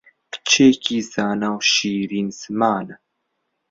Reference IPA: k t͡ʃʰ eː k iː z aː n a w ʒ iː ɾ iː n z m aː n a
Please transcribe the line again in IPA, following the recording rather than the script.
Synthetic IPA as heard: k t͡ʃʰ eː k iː z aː n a w ʃ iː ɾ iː n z m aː n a